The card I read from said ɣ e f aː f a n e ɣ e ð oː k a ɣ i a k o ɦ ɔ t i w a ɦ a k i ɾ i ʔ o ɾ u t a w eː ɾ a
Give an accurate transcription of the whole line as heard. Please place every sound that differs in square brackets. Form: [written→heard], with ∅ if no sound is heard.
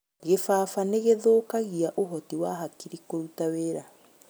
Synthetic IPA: ɣ e f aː f a n e ɣ e ð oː k a ɣ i a [k→ʔ] o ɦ ɔ t i w a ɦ a k i ɾ i [ʔ→k] o ɾ u t a w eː ɾ a